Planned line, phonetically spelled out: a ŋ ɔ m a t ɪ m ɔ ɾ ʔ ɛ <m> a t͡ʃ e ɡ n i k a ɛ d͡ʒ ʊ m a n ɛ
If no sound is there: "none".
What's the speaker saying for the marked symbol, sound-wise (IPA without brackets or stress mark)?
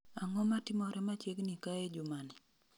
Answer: m